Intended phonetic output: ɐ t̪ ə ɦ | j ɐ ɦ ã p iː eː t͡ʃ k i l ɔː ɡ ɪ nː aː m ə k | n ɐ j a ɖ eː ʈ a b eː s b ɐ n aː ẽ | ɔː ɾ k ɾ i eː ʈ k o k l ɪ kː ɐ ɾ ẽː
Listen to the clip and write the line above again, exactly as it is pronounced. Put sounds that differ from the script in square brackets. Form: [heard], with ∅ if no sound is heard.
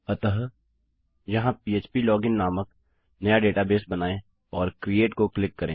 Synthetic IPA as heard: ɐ t̪ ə ɦ | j ɐ ɦ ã p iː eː t͡ʃ [p] i l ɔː ɡ ɪ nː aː m ə k | n ɐ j a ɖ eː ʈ a b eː s b ɐ n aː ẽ | ɔː ɾ k ɾ i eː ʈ k o k l ɪ kː ɐ ɾ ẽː